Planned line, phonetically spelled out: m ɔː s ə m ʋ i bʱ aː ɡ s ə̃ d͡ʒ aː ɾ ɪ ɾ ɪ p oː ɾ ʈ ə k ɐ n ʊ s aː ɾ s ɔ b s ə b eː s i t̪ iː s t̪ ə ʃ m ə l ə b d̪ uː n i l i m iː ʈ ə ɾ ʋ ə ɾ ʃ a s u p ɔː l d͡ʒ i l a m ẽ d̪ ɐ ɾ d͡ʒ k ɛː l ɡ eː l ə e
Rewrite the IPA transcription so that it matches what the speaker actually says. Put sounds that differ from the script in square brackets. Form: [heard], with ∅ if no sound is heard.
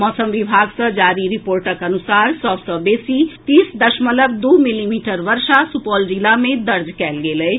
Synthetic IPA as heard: m ɔː s ə m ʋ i bʱ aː ɡ s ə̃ d͡ʒ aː ɾ [i] ɾ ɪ p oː ɾ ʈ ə k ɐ n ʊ s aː ɾ s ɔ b s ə b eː s i t̪ iː s [d̪] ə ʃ m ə l ə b d̪ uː [m] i l i m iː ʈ ə ɾ ʋ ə ɾ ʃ a s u p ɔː l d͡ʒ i l a m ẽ d̪ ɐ ɾ d͡ʒ k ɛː l ɡ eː l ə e

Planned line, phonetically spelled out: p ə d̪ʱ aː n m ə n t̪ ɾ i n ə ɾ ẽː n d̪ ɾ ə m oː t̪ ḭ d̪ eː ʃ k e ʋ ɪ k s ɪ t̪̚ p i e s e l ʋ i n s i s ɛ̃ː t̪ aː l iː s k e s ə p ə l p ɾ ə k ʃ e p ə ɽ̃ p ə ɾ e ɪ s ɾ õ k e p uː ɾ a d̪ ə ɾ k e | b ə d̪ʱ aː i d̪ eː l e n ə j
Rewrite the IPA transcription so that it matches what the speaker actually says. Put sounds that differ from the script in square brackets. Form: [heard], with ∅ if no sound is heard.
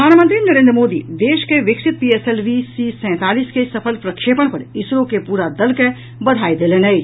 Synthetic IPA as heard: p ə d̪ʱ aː n m ə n t̪ ɾ i n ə ɾ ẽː n d̪ ɾ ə m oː [d̪] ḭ d̪ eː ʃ k e ʋ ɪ k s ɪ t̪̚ p i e s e l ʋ i [∅] s i s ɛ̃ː t̪ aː l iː s k e s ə [pʰ] ə l p ɾ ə k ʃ e p ə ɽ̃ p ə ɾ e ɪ s ɾ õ k e p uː ɾ a d̪ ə [l] k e | b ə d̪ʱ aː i d̪ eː l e n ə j

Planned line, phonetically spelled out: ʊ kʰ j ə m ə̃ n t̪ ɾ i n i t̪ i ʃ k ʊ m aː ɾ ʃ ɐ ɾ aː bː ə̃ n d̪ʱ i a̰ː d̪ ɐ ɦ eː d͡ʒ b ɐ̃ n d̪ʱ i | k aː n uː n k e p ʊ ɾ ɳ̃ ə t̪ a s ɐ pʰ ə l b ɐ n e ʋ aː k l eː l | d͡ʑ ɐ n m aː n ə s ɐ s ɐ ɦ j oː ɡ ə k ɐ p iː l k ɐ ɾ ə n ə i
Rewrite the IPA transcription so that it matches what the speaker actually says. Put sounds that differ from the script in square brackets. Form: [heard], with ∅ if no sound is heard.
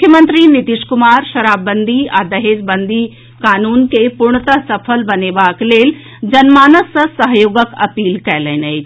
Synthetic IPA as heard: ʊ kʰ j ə m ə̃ n t̪ ɾ i n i t̪ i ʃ k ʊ m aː ɾ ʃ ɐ ɾ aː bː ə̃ n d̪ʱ i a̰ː d̪ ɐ ɦ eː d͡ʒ b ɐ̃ n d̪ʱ i | k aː n uː n k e p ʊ ɾ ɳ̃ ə t̪ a s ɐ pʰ ə l b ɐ n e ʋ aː k l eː l | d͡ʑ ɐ n m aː n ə s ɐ s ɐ ɦ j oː ɡ ə k ɐ p iː l k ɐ [l] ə n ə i

